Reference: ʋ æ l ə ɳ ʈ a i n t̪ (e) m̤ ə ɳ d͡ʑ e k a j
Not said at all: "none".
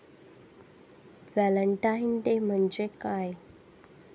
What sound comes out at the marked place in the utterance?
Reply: e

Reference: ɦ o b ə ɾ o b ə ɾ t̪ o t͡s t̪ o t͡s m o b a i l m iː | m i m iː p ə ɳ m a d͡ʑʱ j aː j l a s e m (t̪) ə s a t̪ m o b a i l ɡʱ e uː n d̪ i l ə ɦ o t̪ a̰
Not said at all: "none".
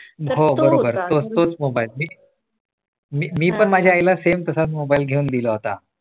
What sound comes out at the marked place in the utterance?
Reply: t̪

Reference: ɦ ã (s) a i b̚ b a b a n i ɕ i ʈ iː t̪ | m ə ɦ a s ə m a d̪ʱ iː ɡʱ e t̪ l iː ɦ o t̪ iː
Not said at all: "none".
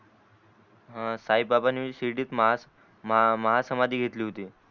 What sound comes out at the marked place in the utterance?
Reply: s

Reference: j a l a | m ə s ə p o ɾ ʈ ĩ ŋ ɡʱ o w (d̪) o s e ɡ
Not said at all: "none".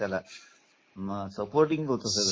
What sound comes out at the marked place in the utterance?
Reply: t̪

